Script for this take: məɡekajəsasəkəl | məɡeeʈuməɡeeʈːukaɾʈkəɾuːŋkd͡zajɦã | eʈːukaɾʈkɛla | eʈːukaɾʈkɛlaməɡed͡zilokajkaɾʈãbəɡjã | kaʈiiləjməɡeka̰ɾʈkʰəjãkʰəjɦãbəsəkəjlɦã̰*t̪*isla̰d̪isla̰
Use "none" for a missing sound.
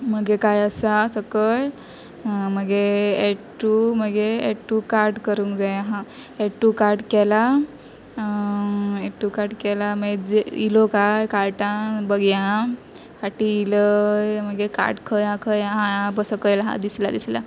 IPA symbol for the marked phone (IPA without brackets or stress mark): d̪